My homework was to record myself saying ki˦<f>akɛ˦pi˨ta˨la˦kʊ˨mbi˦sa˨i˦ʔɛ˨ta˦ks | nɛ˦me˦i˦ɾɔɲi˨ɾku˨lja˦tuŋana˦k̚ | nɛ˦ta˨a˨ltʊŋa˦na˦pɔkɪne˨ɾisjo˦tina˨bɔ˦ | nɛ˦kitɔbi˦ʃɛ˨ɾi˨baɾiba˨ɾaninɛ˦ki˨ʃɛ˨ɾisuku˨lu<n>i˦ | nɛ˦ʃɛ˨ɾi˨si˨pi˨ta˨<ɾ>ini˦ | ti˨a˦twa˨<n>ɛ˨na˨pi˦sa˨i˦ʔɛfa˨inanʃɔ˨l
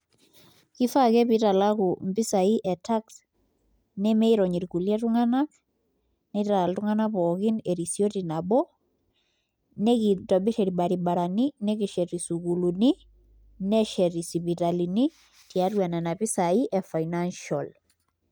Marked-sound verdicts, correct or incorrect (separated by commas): correct, correct, incorrect, correct